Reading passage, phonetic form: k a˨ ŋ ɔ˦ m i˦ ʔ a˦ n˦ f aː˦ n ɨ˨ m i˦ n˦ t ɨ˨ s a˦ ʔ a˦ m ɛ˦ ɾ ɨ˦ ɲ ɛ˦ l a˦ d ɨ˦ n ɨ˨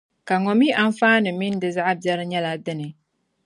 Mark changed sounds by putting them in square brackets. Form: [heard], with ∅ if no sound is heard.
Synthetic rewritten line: k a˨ ŋ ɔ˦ m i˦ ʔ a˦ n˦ f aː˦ n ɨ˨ m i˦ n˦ [d] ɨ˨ [z] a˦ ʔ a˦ [b] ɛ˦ ɾ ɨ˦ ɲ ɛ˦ l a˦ d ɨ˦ n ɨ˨